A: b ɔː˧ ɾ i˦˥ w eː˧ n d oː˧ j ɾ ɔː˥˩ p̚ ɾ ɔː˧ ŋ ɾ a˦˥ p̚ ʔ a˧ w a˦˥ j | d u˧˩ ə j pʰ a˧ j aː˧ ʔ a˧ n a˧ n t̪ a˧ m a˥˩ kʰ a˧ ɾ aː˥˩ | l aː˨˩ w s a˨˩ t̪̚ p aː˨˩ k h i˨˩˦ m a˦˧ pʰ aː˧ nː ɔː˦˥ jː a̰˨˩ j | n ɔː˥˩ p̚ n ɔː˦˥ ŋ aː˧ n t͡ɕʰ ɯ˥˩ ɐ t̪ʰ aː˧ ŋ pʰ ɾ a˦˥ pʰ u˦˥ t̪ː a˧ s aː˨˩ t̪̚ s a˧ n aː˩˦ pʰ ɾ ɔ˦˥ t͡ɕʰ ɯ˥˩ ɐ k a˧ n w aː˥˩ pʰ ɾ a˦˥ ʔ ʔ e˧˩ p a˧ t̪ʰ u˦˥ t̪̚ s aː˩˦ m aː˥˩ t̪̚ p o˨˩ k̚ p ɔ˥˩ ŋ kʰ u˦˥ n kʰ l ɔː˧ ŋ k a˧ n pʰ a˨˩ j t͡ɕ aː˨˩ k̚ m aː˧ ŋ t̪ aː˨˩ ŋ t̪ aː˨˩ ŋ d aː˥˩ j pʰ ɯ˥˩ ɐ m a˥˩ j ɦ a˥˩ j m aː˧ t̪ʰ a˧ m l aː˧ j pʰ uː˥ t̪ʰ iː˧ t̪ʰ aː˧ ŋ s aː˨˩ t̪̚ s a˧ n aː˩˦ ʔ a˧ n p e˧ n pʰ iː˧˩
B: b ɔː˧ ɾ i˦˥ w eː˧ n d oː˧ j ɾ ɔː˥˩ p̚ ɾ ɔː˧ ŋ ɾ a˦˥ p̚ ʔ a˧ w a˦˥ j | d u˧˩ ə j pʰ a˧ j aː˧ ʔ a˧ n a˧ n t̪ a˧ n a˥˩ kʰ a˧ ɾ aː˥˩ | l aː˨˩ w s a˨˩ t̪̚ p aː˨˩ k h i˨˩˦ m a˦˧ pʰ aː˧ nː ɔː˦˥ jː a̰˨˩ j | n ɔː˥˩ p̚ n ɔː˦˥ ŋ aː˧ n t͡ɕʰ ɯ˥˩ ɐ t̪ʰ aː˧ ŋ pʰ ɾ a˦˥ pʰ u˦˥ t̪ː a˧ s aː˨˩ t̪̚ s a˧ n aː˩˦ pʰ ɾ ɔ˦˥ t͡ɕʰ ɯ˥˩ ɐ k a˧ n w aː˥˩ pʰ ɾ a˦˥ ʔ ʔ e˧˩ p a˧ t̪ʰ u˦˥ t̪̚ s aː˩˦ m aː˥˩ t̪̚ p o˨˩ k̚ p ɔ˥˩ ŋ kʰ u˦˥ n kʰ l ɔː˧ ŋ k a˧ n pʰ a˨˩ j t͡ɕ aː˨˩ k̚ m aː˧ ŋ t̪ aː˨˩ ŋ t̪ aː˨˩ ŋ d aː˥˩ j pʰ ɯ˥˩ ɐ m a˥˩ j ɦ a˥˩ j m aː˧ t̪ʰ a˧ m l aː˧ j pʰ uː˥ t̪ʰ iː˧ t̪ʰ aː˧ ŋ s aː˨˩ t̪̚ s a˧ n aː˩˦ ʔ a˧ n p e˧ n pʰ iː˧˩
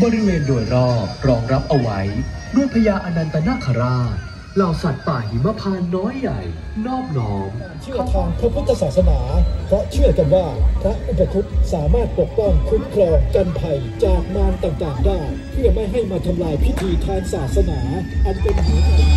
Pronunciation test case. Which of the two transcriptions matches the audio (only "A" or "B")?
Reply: B